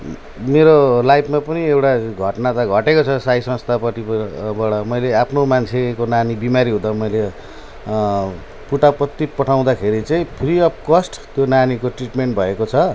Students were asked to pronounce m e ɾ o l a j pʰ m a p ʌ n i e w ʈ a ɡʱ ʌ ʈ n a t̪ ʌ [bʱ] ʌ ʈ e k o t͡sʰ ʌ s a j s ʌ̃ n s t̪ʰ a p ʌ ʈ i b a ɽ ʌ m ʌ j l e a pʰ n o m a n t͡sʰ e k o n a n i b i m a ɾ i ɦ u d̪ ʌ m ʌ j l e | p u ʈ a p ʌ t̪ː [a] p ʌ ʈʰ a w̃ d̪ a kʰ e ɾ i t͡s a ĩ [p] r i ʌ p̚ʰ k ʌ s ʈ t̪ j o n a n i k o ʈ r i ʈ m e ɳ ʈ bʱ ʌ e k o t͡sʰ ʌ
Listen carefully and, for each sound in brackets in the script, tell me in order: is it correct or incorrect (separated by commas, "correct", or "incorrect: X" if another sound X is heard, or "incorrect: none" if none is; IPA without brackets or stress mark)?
incorrect: ɡʱ, incorrect: i, incorrect: pʰ